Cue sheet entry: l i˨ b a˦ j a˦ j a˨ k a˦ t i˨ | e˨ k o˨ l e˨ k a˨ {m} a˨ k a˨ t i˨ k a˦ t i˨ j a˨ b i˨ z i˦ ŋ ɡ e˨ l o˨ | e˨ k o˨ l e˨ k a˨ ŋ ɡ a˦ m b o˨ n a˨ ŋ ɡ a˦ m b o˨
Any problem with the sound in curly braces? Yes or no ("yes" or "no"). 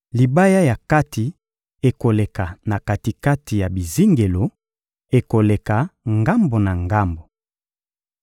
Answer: yes